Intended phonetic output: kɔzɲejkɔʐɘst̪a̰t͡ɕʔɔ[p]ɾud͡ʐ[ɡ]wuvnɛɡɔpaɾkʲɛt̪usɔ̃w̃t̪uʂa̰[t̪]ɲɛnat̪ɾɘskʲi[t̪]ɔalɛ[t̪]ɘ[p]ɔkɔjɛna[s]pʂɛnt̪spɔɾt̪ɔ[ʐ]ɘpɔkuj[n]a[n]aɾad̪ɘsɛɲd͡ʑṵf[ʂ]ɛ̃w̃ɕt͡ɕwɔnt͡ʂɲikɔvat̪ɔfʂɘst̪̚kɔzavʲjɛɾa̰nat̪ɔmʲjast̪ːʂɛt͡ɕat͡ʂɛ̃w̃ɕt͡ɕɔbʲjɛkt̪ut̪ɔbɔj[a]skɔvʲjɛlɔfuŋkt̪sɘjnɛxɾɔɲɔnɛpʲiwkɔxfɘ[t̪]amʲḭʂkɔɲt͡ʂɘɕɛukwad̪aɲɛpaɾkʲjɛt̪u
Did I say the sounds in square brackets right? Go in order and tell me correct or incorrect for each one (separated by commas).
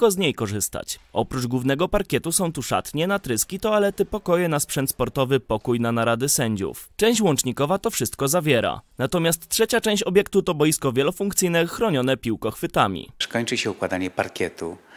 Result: correct, correct, correct, correct, correct, correct, correct, incorrect, correct, correct, incorrect, incorrect, correct